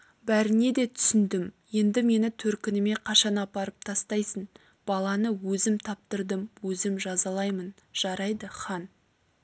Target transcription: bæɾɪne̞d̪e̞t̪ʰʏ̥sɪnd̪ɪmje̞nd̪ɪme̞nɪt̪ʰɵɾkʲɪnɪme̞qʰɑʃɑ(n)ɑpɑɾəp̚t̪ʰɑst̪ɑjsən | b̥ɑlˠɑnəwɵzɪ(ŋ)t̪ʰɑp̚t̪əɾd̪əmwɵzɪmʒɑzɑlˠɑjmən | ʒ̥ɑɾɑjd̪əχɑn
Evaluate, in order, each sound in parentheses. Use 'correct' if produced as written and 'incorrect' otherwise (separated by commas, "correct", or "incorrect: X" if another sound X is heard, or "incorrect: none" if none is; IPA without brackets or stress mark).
correct, incorrect: m